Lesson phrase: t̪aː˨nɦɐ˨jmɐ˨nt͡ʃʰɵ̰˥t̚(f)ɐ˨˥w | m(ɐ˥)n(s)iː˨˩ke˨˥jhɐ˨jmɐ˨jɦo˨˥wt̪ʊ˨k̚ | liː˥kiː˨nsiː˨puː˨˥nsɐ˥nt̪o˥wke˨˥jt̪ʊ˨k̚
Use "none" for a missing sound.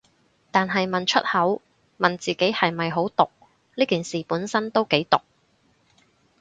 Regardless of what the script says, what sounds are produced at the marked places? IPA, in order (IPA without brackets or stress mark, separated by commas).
h, ɐ˨, t͡s